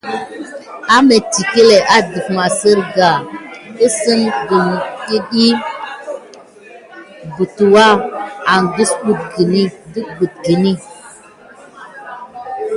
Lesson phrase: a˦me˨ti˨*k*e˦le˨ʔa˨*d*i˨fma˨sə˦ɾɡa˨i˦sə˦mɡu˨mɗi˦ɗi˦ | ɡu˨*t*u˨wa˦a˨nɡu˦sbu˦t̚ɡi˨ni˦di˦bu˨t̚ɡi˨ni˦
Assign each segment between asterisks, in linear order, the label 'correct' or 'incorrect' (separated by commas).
correct, correct, correct